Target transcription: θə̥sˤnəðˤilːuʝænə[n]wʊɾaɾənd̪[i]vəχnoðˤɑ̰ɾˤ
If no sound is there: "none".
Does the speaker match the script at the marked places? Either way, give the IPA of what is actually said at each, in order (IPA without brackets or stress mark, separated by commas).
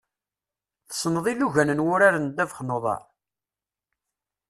n, æ